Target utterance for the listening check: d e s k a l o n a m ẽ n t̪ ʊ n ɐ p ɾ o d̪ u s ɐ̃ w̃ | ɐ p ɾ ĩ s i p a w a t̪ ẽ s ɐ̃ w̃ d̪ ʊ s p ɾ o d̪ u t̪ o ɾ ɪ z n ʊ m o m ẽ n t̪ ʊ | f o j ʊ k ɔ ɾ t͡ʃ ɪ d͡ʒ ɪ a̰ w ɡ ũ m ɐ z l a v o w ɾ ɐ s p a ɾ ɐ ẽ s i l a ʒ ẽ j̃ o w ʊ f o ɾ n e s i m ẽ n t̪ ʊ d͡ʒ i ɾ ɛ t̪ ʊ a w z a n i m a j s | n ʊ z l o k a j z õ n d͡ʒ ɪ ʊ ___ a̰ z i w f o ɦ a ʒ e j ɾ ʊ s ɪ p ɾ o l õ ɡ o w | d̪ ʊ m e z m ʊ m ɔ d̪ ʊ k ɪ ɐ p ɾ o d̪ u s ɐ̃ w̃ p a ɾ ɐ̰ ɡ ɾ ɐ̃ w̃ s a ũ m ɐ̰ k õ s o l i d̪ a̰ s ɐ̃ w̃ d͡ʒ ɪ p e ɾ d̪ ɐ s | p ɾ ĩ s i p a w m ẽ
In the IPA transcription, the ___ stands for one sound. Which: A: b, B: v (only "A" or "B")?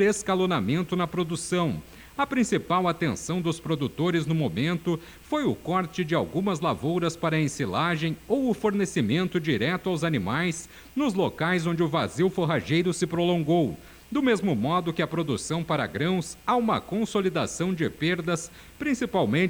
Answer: B